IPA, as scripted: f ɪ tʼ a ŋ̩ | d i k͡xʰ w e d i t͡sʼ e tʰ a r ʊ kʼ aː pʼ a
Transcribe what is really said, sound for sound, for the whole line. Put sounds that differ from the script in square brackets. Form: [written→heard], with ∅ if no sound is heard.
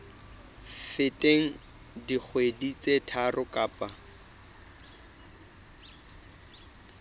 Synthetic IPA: f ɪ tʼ [a→e] ŋ̩ | d i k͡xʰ w e d i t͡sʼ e tʰ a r ʊ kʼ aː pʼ a